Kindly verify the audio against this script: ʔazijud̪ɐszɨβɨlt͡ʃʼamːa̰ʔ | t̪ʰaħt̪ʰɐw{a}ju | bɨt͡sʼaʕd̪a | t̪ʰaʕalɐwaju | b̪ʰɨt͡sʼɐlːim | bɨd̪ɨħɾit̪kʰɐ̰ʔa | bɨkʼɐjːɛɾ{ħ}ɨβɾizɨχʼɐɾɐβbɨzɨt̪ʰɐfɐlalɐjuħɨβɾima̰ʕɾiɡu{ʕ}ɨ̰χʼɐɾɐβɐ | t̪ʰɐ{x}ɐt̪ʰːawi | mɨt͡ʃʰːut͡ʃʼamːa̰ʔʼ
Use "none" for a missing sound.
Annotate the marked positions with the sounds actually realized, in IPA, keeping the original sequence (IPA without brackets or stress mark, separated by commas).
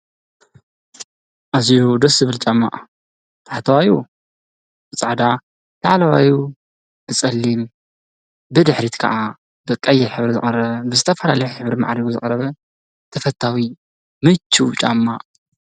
a, ħ, z, f